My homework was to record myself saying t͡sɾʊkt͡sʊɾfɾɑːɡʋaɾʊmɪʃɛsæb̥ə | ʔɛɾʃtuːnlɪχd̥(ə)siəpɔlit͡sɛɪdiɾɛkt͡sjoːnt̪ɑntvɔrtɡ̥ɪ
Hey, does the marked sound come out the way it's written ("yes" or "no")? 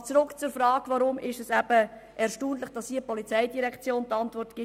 no